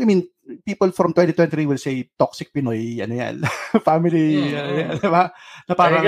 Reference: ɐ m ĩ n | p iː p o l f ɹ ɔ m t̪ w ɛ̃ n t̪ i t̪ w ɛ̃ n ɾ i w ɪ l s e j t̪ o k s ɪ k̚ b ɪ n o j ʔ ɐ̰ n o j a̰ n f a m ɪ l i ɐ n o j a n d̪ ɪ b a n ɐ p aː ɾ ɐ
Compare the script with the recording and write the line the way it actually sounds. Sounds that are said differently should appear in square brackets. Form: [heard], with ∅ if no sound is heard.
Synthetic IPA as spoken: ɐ m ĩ n | p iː p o l f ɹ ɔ m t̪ w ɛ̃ n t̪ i t̪ w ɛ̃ n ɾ i w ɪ l s e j t̪ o k s ɪ k̚ [p] ɪ n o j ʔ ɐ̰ n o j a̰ n f a m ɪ l i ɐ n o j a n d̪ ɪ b a n ɐ p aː ɾ ɐ